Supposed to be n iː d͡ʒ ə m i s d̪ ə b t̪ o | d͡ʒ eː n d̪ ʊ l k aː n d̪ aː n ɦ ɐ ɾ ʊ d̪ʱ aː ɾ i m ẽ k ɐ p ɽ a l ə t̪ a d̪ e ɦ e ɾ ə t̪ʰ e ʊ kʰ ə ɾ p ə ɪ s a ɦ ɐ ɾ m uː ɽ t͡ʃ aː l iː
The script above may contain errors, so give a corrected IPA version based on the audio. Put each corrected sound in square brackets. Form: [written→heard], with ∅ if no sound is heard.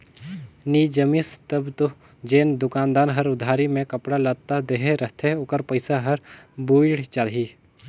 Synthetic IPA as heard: n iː d͡ʒ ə m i s [d̪→t̪] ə b t̪ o | d͡ʒ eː n d̪ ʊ [l→∅] k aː n d̪ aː n ɦ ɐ ɾ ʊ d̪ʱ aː ɾ i m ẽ k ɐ p ɽ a l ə t̪ a d̪ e ɦ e ɾ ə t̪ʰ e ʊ [kʰ→k] ə ɾ p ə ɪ s a ɦ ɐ ɾ [m→b] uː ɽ t͡ʃ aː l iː